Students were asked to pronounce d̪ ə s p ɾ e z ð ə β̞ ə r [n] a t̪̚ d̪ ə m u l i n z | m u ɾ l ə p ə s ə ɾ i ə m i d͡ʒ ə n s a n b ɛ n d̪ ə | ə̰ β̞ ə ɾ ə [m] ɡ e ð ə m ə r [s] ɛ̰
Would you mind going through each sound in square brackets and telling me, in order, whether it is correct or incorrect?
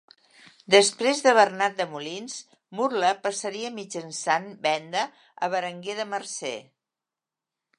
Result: correct, incorrect, correct

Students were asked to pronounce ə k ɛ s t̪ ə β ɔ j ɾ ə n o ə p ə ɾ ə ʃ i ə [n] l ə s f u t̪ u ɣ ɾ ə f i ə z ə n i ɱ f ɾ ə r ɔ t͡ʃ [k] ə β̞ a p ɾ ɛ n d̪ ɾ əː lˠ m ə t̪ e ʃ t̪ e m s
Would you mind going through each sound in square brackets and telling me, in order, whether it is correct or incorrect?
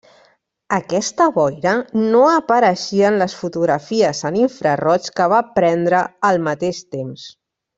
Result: correct, correct

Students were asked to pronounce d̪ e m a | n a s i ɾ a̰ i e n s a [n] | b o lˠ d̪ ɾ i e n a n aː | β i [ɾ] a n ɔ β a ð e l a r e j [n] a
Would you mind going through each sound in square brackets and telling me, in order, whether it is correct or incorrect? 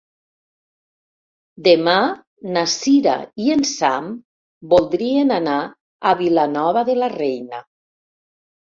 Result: incorrect, incorrect, correct

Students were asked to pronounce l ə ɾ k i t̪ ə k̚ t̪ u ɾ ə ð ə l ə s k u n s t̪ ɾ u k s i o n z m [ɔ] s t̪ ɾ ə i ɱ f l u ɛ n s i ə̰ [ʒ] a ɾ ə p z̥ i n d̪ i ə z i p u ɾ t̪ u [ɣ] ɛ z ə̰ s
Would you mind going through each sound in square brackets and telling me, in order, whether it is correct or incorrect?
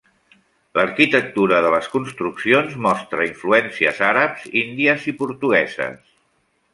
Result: correct, incorrect, correct

